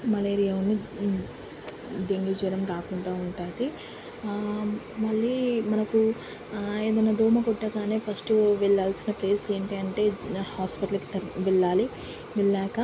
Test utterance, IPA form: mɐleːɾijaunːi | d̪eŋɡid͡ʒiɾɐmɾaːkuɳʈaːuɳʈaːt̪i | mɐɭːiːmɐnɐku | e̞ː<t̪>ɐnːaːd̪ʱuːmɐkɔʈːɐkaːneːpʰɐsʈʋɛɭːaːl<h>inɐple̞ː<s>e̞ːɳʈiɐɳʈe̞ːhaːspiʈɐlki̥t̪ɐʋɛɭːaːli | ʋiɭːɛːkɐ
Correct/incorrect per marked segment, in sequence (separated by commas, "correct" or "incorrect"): incorrect, incorrect, correct